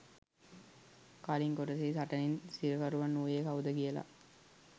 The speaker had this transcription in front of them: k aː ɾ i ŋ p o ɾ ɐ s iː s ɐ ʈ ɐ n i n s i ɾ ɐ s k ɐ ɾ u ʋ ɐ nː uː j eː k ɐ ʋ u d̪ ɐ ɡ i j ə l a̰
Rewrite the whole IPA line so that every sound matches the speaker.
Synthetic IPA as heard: k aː l i ŋ k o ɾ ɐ s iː s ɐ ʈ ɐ n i n s i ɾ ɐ k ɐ ɾ u ʋ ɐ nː uː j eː k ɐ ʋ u d̪ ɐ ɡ i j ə l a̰